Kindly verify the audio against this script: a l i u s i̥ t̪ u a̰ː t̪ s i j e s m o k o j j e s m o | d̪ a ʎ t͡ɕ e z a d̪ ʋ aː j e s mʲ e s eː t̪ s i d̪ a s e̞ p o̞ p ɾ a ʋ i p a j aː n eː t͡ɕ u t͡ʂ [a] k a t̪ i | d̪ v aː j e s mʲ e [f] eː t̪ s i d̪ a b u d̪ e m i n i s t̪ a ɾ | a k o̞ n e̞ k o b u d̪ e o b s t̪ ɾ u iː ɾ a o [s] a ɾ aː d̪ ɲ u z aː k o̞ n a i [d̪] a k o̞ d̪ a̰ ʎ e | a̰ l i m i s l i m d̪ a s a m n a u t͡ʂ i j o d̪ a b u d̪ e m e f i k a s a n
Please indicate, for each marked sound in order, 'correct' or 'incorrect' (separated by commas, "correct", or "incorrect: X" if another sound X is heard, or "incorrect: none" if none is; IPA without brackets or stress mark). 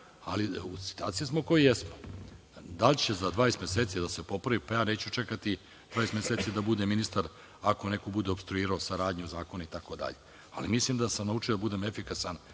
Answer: incorrect: e, incorrect: s, correct, incorrect: t̪